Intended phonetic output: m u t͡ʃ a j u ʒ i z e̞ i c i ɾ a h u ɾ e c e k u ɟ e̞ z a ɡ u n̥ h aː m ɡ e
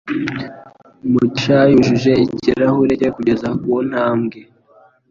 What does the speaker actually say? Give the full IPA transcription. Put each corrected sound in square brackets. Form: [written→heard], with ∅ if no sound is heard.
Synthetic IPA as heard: m u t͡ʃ a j u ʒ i [z→ʒ] e̞ i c i ɾ a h u ɾ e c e k u ɟ e̞ z a [ɡ→k] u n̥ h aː m ɡ e